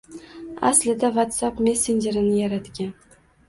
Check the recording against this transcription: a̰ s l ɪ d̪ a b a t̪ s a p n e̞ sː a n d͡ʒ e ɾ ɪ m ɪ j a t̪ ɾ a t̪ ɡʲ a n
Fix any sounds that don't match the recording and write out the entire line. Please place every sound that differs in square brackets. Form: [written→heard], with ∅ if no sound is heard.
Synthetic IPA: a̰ s l ɪ d̪ a [b→v] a t̪ s a p [n→m] e̞ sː [a→e] n d͡ʒ e ɾ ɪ [m→n] ɪ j a [t̪→∅] ɾ a t̪ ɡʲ a n